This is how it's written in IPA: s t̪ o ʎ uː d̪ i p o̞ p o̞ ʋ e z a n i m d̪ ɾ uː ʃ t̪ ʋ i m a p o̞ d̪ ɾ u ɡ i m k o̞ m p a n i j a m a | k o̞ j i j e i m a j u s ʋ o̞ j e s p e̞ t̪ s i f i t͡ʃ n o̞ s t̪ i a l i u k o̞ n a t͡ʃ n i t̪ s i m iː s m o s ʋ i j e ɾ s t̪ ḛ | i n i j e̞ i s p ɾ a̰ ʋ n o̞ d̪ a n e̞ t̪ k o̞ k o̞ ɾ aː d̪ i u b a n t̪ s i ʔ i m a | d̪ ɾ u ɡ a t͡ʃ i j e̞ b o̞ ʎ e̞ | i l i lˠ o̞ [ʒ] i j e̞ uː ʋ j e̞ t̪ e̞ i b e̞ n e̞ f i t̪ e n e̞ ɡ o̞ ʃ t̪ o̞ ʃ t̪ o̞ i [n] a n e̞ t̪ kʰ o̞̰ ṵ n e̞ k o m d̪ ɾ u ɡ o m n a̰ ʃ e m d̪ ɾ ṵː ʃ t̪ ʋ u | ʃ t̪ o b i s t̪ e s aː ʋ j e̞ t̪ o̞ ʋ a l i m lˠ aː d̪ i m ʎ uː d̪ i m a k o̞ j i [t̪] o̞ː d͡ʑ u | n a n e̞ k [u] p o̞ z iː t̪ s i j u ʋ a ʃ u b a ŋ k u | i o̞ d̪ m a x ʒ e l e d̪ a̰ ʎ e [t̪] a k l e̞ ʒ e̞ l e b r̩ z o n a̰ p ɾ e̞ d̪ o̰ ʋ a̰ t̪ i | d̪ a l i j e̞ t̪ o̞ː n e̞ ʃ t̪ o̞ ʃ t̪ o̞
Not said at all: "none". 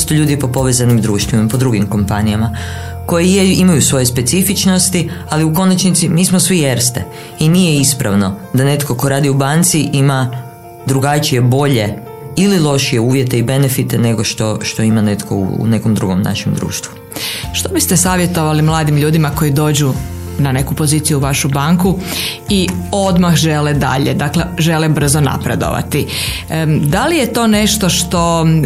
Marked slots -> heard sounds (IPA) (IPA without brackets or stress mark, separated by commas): ʃ, m, d̪, u, d̪